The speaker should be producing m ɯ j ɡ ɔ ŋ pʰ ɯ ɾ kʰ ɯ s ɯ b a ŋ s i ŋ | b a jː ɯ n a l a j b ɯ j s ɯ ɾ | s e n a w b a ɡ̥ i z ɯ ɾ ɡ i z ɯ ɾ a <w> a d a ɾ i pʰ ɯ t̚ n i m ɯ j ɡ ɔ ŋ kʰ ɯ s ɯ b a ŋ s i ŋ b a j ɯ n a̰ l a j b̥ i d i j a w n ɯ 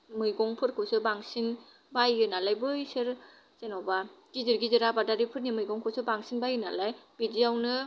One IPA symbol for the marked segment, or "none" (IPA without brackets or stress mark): b